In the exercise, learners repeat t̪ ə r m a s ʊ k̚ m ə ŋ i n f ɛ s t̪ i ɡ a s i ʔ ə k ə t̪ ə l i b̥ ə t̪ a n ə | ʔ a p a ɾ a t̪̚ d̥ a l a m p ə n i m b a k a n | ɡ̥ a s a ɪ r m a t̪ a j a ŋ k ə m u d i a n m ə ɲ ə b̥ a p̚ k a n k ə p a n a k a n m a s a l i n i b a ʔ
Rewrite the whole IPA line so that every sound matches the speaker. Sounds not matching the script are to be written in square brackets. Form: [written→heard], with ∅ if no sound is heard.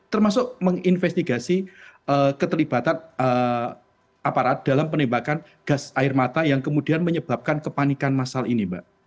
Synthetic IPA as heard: t̪ ə r m a s ʊ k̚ m ə ŋ i n f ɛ s t̪ i ɡ a s i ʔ ə k ə t̪ ə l i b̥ [ə→a] t̪ a n ə | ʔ a p a ɾ a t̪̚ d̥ a l a m p ə n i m b a k a n | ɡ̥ a s a ɪ r m a t̪ a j a ŋ k ə m u d i a n m ə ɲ ə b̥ a p̚ k a n k ə p a n [a→i] k a n m a s a l i n i b a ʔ